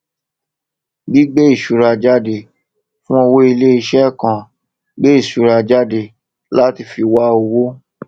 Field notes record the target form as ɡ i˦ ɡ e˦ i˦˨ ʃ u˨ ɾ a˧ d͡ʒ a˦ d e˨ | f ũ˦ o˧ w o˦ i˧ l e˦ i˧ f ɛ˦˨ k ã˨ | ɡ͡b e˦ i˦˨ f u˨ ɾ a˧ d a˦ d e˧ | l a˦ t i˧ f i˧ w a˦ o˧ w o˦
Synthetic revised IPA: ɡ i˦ ɡ͡b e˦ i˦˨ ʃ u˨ ɾ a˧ d͡ʒ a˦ d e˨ | f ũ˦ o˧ w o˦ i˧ l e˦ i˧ ʃ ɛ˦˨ k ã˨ | ɡ͡b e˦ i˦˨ ʃ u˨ ɾ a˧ d͡ʒ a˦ d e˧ | l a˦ t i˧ f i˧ w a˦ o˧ w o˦